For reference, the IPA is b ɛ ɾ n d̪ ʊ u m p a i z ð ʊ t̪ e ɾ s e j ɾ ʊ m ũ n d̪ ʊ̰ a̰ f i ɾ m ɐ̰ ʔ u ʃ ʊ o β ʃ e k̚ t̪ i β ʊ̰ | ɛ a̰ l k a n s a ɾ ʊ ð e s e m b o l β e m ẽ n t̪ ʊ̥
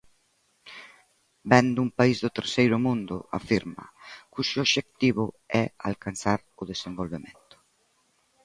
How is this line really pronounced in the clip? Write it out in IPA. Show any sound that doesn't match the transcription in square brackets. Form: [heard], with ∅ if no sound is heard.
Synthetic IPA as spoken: b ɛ [∅] n d̪ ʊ u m p a i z ð ʊ t̪ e ɾ s e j ɾ ʊ m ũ n d̪ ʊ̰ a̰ f i ɾ m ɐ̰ [k] u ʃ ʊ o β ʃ e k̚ t̪ i β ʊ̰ | ɛ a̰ l k a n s a ɾ ʊ ð e s e m b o l β e m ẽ n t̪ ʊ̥